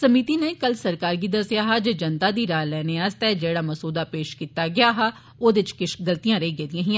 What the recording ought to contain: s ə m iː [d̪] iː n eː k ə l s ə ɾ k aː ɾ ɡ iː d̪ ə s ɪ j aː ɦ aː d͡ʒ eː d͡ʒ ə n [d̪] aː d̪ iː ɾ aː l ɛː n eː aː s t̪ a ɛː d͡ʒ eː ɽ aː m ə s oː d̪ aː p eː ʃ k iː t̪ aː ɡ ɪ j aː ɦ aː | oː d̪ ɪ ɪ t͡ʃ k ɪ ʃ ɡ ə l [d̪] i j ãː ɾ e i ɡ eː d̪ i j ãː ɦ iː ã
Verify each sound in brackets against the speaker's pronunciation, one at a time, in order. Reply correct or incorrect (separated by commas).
incorrect, incorrect, incorrect